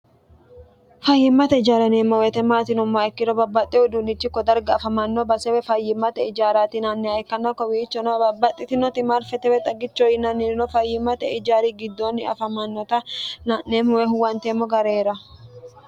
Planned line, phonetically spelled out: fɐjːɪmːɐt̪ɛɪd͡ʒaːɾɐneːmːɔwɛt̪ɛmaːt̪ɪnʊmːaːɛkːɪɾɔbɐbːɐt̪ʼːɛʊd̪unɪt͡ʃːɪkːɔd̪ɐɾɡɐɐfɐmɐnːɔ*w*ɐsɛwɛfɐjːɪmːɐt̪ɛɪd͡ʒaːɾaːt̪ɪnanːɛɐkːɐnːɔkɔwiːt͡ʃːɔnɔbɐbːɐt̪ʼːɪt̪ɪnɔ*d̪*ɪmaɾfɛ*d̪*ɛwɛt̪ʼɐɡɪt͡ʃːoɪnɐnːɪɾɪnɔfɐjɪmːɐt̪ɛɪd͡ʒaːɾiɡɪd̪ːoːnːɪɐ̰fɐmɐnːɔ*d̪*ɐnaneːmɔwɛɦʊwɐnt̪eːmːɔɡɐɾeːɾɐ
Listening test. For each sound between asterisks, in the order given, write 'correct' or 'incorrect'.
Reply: incorrect, incorrect, incorrect, incorrect

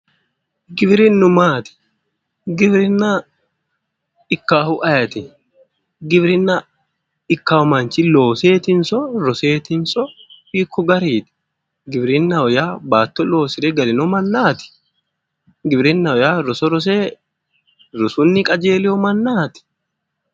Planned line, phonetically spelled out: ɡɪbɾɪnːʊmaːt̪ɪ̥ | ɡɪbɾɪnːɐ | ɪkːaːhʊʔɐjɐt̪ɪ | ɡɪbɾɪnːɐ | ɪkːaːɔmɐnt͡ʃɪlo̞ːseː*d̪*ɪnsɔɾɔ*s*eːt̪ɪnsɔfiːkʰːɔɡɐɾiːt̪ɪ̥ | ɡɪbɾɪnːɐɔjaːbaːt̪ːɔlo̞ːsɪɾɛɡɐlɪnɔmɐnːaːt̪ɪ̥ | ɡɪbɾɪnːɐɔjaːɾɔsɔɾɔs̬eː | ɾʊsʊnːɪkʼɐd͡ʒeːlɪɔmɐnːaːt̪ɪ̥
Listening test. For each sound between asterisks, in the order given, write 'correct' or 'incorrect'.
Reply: incorrect, correct

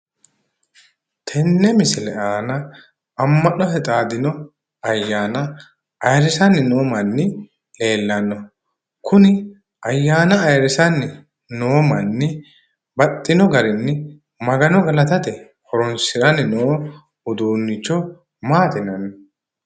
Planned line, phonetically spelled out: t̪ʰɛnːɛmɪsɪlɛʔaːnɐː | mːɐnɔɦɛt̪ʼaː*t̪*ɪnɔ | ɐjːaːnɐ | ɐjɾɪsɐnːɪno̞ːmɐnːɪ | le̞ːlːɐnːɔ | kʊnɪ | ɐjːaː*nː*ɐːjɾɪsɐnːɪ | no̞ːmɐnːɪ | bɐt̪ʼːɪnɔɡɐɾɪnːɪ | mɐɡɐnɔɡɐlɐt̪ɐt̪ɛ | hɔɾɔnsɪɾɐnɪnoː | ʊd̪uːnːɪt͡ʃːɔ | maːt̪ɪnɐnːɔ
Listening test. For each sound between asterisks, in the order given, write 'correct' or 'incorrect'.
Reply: incorrect, incorrect

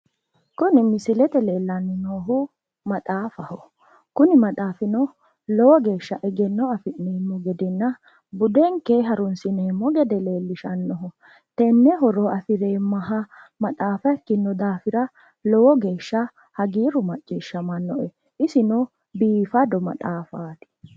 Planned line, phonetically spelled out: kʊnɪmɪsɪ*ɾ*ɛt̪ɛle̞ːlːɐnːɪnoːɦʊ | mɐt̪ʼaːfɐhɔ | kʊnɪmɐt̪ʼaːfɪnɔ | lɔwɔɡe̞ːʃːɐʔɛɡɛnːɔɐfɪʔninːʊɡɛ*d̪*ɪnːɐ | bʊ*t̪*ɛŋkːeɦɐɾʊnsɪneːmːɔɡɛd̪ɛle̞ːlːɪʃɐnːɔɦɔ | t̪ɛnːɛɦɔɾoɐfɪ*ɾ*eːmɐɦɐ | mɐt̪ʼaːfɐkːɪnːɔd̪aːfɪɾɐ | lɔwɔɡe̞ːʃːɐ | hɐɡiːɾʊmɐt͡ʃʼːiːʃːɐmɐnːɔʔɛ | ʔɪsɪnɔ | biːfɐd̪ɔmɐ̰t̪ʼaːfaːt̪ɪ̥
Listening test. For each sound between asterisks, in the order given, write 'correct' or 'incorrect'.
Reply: incorrect, correct, incorrect, correct

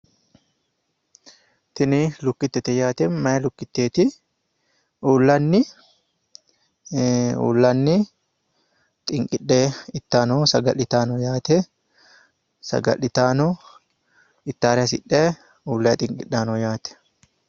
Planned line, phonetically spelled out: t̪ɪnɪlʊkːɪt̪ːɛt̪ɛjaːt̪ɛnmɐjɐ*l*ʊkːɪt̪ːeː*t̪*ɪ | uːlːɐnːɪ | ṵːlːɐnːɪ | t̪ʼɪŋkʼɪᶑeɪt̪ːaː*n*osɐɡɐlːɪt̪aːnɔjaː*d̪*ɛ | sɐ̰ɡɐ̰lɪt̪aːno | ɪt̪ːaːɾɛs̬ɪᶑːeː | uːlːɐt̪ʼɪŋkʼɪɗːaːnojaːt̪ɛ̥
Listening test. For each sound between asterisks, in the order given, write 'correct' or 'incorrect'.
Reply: correct, correct, correct, incorrect

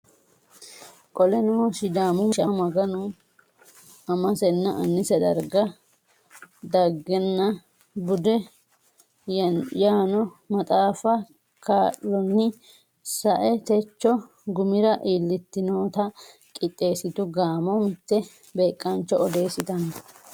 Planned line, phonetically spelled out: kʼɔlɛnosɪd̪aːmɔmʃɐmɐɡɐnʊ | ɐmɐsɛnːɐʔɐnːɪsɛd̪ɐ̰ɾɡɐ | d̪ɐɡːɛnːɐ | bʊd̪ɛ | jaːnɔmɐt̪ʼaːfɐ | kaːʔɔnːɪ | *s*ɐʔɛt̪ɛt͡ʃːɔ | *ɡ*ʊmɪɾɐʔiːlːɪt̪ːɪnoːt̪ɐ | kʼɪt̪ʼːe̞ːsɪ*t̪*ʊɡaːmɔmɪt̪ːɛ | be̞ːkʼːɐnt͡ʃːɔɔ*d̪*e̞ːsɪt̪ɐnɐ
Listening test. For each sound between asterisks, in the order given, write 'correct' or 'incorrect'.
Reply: correct, correct, correct, correct

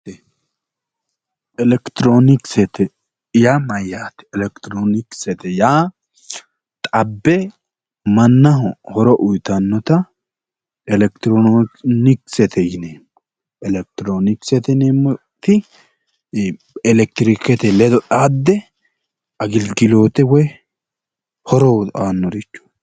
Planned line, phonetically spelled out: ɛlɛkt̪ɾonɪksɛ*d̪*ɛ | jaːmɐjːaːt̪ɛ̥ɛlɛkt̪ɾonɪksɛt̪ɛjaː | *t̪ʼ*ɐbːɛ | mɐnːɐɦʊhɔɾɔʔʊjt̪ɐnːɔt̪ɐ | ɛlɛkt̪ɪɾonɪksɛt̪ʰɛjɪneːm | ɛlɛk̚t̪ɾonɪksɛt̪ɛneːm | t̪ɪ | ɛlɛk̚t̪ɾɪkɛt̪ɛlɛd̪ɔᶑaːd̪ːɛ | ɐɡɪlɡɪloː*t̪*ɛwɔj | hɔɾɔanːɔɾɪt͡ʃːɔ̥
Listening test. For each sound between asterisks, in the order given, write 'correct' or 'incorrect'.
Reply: incorrect, correct, correct

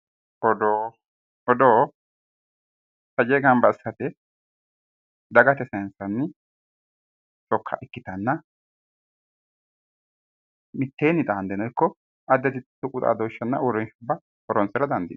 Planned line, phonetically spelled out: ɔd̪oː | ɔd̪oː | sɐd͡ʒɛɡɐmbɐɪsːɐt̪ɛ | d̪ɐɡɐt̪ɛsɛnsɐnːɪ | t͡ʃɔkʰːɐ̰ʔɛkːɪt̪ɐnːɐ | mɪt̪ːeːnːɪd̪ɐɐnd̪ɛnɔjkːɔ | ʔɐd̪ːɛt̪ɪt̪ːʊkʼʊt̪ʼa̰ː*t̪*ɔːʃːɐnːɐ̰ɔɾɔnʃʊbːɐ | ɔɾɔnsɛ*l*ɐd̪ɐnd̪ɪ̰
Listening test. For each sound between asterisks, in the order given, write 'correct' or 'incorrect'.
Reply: incorrect, incorrect

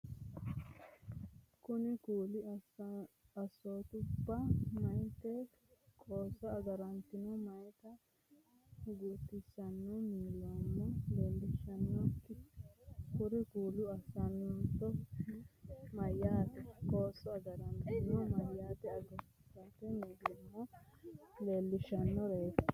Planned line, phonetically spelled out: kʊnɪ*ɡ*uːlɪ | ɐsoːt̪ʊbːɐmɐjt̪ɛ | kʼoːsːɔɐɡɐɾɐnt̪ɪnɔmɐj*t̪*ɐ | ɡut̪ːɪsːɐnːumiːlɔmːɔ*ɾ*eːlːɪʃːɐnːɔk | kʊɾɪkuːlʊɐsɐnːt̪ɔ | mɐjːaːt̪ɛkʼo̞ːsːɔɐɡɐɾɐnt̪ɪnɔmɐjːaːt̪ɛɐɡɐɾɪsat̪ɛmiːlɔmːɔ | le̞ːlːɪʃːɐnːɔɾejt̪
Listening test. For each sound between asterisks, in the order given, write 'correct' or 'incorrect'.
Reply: incorrect, correct, incorrect

